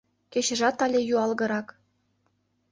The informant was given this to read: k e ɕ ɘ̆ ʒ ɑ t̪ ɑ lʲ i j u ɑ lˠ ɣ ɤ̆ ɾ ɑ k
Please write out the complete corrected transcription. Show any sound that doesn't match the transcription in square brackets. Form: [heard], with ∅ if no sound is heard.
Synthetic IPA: k e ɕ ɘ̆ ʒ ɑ t̪ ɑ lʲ [e] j u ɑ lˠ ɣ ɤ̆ ɾ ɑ k